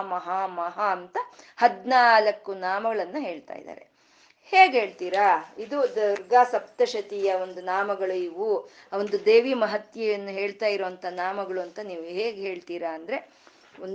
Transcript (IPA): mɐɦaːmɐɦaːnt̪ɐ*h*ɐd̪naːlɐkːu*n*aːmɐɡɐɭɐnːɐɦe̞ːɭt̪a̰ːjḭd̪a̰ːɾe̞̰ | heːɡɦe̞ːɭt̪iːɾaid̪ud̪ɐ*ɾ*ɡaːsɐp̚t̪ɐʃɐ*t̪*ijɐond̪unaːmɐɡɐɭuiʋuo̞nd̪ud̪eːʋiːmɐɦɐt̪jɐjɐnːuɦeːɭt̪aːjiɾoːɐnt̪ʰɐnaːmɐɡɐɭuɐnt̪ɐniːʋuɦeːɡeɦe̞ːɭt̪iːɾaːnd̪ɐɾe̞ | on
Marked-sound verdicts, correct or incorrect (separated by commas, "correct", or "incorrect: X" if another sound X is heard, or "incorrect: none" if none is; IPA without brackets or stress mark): correct, correct, correct, correct